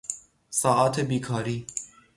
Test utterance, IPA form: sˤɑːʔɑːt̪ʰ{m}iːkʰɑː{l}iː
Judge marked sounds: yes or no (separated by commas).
no, no